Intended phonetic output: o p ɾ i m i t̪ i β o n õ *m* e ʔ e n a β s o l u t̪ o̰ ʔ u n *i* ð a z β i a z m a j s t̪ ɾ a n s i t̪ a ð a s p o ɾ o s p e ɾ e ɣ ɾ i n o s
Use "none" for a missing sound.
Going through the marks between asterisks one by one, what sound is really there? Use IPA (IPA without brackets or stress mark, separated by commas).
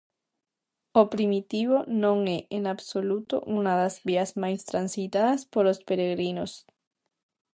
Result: ŋ, a